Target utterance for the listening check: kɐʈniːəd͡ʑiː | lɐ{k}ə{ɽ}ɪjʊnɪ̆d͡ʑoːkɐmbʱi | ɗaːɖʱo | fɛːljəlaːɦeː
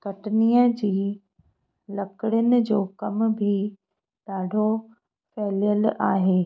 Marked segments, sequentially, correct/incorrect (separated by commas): correct, correct